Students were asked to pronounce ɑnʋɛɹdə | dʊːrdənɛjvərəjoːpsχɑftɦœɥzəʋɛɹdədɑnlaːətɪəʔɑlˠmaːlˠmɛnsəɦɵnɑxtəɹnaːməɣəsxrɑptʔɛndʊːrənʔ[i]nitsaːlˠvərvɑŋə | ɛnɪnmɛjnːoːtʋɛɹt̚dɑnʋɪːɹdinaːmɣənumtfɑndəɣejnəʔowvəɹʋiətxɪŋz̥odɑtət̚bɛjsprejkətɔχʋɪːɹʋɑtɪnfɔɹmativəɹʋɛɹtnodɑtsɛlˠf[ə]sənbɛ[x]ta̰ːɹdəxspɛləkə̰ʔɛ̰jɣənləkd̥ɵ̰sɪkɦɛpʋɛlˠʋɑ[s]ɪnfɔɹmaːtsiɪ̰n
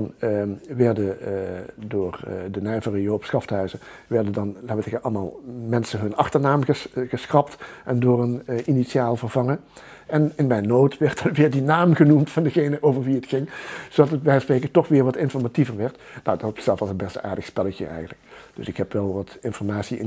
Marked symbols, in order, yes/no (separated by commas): yes, no, no, no